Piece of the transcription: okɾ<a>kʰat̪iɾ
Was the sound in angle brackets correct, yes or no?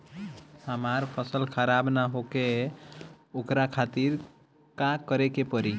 yes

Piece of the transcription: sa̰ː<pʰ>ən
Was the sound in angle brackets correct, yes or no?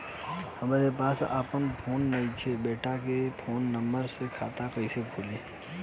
no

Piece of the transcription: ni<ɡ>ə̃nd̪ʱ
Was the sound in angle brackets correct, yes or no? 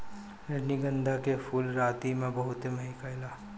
yes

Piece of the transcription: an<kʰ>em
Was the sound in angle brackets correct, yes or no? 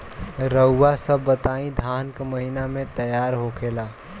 no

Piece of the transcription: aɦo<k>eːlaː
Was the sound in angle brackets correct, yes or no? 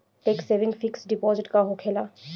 no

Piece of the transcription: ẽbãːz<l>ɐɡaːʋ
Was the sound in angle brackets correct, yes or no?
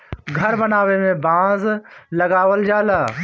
yes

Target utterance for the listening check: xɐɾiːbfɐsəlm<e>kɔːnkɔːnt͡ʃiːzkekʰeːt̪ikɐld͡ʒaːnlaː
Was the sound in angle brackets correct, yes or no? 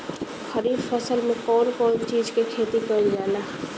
no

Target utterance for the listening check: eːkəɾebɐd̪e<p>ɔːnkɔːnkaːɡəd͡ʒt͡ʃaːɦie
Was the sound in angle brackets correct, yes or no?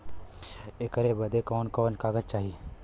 no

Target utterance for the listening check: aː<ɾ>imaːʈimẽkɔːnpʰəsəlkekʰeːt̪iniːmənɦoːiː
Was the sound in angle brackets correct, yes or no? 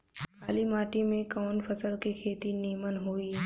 no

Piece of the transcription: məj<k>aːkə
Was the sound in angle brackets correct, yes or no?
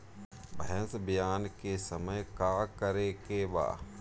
yes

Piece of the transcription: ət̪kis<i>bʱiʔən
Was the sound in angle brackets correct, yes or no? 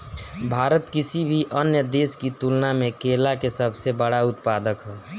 yes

